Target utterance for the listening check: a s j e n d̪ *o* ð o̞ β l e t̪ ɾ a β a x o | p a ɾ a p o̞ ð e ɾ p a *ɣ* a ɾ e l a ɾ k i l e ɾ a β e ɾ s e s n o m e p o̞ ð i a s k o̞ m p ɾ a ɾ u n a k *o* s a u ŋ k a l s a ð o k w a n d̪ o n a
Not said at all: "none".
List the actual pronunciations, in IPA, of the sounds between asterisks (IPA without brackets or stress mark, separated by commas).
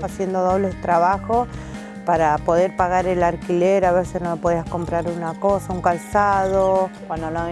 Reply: o, ɣ, o